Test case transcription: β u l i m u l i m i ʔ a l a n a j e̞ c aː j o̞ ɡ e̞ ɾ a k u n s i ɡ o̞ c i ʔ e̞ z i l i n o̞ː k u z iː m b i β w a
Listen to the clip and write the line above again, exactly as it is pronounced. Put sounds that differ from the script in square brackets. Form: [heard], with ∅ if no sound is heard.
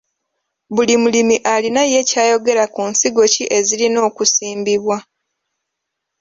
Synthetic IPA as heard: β u l i m u l i m i ʔ a l [i] n a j e̞ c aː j o̞ ɡ e̞ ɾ a k u n s i ɡ o̞ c i ʔ e̞ z i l i n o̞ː k u [s] iː m b i β w a